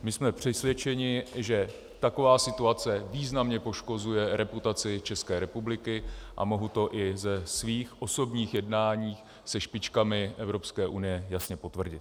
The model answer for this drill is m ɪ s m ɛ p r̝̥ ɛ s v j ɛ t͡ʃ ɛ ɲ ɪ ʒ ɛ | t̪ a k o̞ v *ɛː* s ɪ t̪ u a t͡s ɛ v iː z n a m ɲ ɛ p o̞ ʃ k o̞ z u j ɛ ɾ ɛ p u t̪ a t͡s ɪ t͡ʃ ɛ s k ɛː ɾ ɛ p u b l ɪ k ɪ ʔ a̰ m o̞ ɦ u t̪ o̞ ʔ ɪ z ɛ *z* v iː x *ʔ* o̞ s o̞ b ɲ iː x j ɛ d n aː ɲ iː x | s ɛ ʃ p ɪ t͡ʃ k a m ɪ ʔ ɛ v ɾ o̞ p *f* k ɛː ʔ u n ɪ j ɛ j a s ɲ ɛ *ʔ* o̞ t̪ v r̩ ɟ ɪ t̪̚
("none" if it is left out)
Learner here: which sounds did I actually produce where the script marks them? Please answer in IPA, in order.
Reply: aː, s, ʔ, s, p

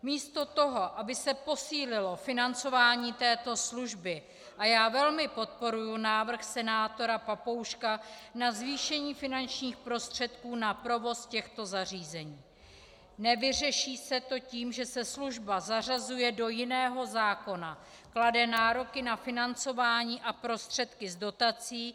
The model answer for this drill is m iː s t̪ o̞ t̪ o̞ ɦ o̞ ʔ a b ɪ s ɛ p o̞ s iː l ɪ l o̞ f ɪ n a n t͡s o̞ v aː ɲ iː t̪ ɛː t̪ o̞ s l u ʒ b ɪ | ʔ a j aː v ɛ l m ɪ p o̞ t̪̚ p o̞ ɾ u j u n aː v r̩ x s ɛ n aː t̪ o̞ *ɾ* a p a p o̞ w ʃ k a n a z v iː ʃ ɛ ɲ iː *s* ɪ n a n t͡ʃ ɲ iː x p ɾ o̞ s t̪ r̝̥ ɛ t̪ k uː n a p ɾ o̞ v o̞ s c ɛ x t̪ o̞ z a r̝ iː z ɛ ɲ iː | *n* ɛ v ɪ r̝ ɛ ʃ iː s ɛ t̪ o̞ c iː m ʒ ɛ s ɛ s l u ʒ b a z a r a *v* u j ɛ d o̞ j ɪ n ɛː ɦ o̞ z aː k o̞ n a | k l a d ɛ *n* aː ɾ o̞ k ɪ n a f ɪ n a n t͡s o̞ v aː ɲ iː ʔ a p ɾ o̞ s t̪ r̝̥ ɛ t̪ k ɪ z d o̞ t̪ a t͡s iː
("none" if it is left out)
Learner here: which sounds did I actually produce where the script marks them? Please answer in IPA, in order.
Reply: ɾ, f, n, z, n

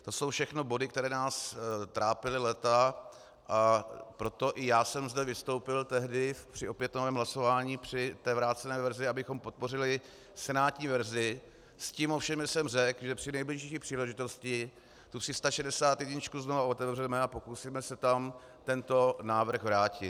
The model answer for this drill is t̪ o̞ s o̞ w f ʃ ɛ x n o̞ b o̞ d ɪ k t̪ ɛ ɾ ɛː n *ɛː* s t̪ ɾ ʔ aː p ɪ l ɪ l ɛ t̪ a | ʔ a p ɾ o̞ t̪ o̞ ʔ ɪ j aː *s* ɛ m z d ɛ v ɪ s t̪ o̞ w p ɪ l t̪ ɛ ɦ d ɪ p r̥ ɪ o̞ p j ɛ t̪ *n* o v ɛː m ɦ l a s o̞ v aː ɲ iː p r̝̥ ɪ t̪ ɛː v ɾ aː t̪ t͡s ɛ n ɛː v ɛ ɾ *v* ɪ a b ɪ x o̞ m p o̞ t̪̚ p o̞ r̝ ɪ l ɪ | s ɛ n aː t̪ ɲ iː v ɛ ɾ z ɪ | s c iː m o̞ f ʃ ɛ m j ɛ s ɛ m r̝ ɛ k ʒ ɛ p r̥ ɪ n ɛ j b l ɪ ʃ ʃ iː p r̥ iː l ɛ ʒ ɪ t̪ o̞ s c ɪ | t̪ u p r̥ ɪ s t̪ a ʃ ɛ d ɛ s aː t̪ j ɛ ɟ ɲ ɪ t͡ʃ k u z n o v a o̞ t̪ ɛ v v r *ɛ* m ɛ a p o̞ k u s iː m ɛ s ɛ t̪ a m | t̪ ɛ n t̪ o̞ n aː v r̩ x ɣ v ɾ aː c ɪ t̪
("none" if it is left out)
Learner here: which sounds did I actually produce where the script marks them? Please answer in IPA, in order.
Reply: aː, s, n, z, ɛ

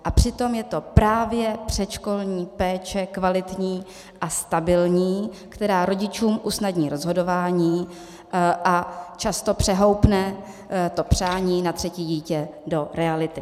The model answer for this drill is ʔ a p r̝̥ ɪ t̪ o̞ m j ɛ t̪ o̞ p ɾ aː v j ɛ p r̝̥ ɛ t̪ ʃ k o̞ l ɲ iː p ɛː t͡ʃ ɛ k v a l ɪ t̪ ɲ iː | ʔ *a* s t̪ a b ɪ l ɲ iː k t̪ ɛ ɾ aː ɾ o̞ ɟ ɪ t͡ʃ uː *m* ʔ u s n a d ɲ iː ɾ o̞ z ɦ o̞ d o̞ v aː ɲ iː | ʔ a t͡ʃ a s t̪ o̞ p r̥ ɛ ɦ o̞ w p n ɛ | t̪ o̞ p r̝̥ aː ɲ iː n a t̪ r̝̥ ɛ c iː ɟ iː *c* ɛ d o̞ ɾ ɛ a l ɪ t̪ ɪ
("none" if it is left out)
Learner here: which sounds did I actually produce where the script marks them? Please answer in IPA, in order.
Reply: a, m, c

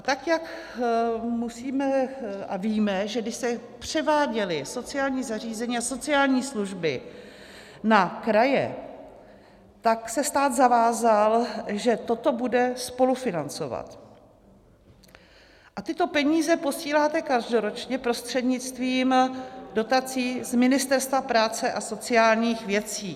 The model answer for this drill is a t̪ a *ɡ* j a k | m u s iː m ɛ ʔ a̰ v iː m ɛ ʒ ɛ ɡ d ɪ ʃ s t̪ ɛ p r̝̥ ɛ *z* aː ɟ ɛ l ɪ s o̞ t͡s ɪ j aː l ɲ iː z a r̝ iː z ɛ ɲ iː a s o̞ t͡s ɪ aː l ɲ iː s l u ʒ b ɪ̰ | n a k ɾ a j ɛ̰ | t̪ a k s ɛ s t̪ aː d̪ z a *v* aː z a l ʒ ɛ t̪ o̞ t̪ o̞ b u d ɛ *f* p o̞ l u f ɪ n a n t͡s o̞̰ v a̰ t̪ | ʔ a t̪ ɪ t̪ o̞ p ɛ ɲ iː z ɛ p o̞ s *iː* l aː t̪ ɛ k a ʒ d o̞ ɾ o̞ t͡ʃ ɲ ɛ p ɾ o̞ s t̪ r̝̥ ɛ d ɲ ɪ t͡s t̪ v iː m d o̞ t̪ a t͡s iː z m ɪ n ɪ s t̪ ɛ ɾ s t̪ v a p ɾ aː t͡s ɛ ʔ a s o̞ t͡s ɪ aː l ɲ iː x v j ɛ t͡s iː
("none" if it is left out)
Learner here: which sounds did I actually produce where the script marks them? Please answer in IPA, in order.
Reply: k, v, v, s, iː

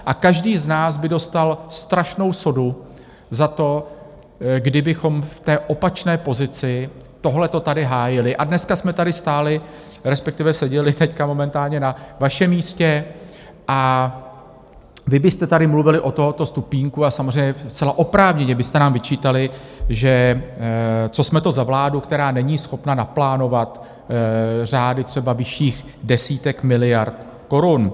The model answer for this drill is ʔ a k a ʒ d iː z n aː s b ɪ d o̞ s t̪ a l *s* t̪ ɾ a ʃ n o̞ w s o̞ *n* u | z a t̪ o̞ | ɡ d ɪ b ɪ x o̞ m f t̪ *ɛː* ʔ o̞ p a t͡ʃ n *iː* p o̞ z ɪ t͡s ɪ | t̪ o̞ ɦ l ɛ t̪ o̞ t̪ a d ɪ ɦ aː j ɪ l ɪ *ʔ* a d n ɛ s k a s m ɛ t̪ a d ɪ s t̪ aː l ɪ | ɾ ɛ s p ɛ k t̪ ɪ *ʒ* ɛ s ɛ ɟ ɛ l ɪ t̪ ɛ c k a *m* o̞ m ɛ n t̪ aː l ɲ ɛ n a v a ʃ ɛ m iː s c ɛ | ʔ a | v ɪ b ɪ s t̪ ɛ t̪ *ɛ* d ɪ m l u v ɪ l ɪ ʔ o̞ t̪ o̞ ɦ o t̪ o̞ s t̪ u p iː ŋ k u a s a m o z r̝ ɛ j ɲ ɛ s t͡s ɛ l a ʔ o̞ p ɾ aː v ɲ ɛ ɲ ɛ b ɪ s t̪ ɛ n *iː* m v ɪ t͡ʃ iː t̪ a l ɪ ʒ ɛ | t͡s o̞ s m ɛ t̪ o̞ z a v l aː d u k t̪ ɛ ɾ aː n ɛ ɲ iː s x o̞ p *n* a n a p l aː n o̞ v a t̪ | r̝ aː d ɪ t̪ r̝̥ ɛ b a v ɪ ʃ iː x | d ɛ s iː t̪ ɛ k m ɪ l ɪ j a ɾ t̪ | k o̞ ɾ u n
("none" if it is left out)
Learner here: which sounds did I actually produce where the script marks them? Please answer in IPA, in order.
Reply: s, d, ɛː, ɛː, ʔ, v, m, a, aː, n

